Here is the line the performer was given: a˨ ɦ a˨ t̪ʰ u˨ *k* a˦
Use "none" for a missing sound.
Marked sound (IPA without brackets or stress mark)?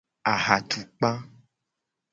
k͡p